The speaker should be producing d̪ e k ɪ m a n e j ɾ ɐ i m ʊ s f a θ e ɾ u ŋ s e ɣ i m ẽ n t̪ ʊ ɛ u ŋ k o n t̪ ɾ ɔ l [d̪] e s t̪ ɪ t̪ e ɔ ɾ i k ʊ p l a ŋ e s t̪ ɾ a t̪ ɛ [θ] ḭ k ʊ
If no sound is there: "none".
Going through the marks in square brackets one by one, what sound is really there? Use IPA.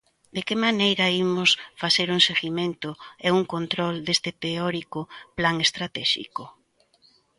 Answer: d̪, ʃ

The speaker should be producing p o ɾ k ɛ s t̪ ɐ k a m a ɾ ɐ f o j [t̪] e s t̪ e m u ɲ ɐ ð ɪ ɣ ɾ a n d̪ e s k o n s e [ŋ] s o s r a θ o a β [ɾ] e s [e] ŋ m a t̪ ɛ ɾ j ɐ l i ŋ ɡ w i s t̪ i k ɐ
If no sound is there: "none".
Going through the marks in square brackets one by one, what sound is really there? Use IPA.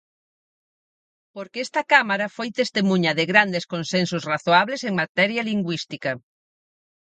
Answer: t̪, n, l, e

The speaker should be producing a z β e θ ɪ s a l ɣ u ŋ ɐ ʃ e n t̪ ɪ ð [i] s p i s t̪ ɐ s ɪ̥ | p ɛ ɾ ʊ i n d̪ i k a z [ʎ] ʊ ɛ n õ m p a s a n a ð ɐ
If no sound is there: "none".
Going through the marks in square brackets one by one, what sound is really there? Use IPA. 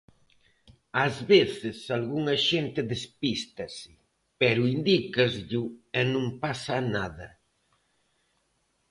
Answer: e, ʎ

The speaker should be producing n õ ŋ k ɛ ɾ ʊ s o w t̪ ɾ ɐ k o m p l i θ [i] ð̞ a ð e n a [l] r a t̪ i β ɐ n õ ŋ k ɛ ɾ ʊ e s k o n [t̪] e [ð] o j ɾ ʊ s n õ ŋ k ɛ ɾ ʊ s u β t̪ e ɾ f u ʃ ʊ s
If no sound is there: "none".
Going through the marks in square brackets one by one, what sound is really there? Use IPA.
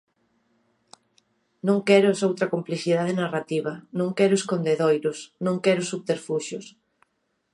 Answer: i, none, d̪, ð

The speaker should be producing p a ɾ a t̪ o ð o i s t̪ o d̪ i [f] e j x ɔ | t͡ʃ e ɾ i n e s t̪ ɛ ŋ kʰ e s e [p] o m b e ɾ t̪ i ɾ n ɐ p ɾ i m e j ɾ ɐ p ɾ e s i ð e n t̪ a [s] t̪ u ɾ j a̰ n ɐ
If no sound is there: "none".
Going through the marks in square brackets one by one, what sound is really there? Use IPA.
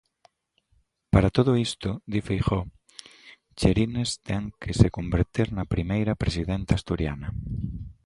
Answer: f, k, s

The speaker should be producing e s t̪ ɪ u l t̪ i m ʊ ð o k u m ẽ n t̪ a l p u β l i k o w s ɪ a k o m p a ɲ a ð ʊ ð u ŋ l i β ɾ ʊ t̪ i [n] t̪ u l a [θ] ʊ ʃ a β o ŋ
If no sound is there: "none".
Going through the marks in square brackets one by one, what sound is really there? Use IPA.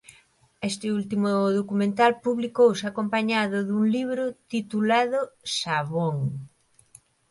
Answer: none, ð

